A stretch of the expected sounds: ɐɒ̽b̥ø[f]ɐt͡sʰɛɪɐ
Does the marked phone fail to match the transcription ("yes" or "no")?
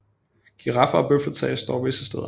no